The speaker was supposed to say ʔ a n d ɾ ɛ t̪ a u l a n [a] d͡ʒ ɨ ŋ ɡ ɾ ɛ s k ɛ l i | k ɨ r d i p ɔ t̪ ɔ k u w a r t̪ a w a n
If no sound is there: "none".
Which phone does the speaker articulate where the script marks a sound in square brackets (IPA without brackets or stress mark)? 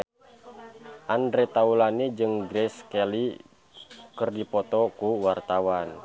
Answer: i